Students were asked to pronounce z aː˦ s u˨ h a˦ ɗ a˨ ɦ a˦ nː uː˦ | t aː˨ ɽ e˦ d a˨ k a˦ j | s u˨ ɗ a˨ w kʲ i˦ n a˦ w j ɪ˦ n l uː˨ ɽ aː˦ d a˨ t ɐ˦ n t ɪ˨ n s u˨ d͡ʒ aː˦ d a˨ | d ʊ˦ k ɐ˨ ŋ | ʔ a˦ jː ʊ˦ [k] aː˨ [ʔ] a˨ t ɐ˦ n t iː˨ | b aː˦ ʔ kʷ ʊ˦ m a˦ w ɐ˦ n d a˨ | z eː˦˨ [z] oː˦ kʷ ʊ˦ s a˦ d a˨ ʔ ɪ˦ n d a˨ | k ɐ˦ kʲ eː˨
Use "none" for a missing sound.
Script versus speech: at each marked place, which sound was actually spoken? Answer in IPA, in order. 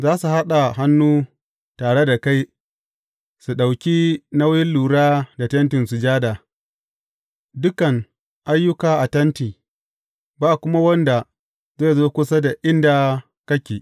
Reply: k, ʔ, z

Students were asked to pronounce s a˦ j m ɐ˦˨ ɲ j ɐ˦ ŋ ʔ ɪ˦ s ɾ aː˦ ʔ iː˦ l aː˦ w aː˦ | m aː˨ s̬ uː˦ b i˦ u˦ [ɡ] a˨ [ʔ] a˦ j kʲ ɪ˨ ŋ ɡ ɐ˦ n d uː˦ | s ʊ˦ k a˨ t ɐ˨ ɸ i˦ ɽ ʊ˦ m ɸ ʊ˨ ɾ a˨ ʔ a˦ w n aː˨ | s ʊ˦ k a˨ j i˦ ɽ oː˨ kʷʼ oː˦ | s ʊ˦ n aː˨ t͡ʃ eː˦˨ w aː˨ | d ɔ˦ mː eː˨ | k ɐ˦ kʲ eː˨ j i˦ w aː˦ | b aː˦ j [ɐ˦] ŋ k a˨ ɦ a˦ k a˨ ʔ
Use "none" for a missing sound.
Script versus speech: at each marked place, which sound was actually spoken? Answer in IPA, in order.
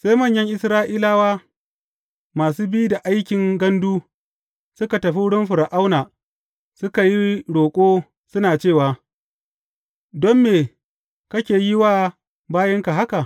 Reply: d, ʔ, ɐ˦

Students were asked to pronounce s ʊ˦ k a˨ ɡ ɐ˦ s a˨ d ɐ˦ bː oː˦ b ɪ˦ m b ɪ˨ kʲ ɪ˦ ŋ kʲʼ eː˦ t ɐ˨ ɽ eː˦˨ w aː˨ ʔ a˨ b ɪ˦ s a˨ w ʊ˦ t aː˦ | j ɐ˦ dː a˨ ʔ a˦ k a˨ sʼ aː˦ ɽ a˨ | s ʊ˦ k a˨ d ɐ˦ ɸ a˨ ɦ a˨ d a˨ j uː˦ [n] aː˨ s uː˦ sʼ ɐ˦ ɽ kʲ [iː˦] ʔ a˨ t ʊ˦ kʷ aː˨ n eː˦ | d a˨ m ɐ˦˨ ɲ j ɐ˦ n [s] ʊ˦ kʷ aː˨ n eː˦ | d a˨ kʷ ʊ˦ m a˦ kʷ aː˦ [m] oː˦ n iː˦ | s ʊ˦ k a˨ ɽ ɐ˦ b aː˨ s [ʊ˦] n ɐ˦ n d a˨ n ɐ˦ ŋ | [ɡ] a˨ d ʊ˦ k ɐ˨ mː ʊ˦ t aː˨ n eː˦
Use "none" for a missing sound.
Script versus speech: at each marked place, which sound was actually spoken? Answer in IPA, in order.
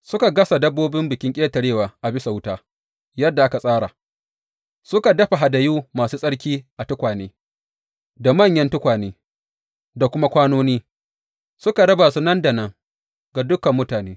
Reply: m, iː˦, t, n, u˦, ɡ

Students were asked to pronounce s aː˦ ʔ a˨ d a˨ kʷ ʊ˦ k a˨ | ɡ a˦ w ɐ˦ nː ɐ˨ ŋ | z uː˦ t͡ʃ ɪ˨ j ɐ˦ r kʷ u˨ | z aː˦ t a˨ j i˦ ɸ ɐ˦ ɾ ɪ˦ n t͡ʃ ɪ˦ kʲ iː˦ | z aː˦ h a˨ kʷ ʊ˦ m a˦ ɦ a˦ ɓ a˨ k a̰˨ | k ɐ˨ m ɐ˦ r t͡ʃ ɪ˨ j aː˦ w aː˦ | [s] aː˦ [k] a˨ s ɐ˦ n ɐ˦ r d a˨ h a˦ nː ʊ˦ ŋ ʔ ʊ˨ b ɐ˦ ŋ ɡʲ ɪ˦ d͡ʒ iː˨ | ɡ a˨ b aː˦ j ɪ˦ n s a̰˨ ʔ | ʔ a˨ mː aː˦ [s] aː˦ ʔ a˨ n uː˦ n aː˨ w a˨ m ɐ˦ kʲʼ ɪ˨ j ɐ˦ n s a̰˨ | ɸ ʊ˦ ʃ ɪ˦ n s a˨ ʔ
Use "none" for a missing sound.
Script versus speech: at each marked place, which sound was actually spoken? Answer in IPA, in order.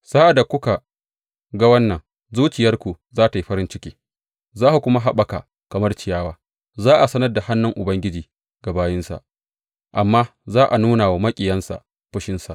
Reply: z, ʔ, z

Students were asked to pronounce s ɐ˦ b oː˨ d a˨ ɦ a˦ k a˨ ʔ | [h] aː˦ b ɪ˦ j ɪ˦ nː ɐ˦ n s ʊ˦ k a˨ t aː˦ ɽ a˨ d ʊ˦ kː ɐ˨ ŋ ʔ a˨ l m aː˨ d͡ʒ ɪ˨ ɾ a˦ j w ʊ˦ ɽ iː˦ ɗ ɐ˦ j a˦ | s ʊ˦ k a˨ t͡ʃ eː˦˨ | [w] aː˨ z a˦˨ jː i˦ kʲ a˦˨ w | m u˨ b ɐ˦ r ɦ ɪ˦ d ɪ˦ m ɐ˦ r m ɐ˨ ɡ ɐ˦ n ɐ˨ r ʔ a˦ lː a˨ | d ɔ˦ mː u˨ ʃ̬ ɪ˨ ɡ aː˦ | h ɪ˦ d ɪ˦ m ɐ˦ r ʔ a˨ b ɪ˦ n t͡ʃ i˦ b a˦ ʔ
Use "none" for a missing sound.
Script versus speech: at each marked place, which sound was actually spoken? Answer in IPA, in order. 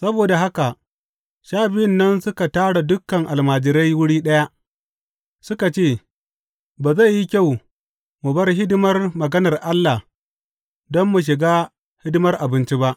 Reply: ʃ, b

